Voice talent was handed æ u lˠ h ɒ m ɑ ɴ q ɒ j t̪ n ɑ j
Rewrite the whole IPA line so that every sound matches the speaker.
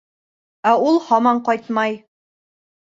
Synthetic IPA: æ u lˠ h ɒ m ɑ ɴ q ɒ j t̪ m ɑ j